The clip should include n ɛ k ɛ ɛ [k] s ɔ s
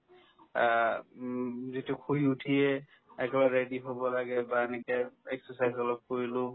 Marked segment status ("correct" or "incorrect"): correct